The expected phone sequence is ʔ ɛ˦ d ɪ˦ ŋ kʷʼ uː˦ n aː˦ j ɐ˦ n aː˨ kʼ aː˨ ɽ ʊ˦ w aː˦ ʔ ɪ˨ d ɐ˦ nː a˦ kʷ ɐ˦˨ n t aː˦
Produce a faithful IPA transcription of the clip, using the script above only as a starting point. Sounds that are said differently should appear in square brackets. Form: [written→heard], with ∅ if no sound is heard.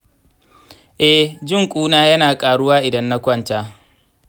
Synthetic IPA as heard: ʔ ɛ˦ [d→d͡ʒ] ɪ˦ ŋ kʷʼ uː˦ n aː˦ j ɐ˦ n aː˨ kʼ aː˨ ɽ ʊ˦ w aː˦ ʔ ɪ˨ d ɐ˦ nː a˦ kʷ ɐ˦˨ n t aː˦